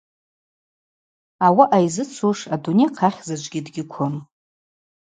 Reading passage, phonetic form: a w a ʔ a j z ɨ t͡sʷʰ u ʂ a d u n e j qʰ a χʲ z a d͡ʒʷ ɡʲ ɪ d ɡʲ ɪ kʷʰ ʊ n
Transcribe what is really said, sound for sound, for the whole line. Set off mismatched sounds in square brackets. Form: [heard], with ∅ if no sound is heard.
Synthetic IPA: a w a ʔ a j z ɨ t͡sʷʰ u ʂ a d u n e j qʰ a χʲ z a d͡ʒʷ ɡʲ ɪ d ɡʲ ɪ kʷʰ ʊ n